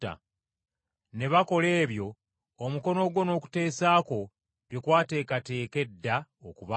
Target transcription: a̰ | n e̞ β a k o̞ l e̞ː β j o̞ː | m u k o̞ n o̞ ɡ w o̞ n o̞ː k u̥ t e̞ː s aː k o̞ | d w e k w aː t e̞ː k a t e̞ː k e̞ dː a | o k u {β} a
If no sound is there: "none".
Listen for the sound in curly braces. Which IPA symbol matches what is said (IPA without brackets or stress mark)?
β